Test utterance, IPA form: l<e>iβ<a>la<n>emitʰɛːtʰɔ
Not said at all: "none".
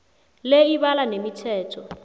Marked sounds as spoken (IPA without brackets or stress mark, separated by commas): e, a, n